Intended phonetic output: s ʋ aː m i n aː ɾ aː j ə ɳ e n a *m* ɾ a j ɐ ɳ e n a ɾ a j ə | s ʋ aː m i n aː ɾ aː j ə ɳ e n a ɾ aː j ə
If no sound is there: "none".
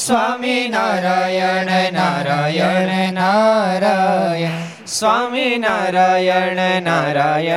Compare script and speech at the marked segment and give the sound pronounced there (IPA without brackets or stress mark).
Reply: none